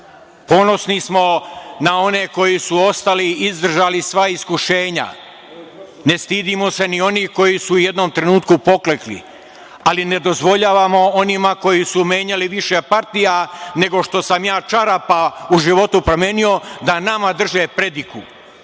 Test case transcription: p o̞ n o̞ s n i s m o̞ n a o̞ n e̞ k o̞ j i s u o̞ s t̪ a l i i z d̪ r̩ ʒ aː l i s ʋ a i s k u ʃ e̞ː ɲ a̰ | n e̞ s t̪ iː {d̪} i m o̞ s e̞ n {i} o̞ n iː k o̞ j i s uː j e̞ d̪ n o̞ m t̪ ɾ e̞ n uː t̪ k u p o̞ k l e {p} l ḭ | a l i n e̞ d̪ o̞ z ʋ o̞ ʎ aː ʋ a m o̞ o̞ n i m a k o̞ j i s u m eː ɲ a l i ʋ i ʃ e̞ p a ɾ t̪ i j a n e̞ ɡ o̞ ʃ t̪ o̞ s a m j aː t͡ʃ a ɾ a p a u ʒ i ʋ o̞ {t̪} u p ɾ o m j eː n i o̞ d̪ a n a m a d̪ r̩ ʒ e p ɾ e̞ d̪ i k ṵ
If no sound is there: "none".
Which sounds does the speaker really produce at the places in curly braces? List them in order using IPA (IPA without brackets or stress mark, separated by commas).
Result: d̪, i, k, t̪